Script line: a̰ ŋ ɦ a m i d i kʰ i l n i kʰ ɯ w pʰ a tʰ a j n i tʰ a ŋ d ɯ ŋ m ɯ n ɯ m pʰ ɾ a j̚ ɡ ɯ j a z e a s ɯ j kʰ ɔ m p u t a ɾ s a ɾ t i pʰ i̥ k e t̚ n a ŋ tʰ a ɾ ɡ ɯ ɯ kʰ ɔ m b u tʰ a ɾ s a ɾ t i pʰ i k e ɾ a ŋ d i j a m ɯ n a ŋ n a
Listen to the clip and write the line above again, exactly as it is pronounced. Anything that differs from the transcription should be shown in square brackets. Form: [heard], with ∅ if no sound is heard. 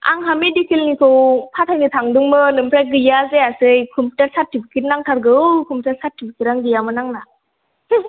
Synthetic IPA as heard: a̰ ŋ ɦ a m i d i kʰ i l n i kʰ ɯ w pʰ a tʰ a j n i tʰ a ŋ d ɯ ŋ m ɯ n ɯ m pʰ ɾ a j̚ ɡ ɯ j a z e a s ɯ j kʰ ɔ m p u t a ɾ s a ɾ t i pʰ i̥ k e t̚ n a ŋ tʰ a ɾ ɡ ɯ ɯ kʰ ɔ m [p] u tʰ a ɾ s a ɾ t i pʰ i k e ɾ a ŋ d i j a m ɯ n a ŋ n a